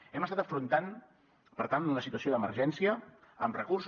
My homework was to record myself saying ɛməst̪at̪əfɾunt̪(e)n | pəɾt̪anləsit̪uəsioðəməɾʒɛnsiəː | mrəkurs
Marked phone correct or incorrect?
incorrect